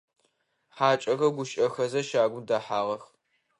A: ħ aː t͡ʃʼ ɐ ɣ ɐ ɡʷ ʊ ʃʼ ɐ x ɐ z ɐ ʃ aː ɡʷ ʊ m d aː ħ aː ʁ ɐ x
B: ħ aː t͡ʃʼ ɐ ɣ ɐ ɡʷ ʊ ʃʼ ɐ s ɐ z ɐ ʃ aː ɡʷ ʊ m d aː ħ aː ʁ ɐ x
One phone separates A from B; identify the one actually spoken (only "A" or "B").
A